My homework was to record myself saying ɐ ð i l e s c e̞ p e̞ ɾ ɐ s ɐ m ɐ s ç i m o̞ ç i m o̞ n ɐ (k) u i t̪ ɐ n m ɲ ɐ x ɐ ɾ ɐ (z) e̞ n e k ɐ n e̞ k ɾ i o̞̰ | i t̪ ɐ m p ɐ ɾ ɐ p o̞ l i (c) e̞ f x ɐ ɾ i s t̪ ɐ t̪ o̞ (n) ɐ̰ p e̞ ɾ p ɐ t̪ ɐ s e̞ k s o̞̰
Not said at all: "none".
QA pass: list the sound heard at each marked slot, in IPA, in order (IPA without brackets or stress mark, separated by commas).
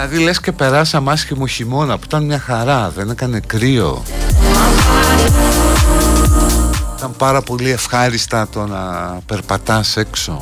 p, ð, none, n